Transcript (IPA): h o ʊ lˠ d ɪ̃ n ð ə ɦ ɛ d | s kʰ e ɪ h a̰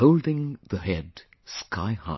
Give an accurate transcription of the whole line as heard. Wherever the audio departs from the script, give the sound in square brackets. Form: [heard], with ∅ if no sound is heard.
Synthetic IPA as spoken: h o ʊ lˠ d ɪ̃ [ŋ] ð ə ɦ ɛ d | s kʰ [a] ɪ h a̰